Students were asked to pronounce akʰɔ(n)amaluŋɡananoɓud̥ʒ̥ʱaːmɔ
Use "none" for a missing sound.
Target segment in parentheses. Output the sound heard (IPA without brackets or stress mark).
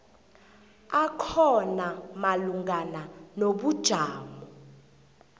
n